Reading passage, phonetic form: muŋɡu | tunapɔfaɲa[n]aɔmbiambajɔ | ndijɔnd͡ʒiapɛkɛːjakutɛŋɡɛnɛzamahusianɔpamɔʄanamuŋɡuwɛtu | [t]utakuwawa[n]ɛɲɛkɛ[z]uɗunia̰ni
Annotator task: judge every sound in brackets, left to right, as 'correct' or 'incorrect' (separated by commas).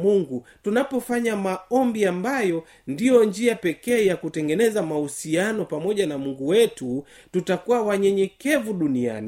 incorrect, correct, incorrect, incorrect